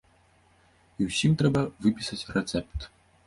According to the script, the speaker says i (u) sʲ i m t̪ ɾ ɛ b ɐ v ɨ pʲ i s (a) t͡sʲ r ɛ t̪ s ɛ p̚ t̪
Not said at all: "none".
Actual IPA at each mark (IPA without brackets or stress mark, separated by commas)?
w, ɐ